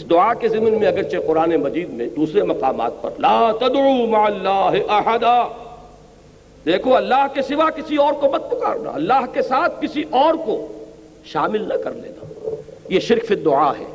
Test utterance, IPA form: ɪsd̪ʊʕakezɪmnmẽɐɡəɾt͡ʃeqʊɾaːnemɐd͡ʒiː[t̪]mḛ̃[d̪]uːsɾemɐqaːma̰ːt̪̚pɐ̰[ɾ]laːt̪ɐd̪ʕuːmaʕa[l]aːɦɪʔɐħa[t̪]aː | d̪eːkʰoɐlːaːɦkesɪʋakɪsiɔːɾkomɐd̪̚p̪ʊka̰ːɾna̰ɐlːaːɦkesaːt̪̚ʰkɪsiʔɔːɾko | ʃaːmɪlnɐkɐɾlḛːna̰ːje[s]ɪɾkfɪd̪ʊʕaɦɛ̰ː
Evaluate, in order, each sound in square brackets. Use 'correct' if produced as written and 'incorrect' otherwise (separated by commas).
incorrect, correct, correct, incorrect, incorrect, incorrect